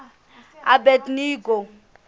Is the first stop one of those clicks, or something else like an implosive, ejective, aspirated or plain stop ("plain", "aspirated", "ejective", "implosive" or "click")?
plain